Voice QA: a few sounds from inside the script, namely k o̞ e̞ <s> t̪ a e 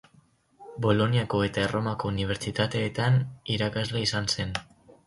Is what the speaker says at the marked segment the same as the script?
no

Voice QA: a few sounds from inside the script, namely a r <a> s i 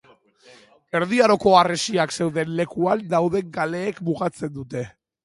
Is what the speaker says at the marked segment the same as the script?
no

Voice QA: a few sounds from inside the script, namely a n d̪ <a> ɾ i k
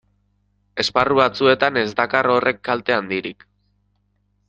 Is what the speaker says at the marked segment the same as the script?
no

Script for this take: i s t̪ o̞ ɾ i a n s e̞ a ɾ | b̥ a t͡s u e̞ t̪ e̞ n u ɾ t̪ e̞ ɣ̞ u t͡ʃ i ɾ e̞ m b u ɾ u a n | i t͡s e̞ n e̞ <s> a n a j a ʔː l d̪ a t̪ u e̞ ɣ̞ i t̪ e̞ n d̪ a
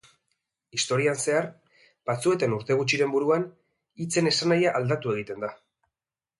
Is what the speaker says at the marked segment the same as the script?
yes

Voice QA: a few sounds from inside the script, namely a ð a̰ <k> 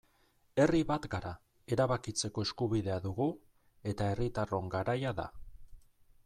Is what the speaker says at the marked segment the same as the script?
no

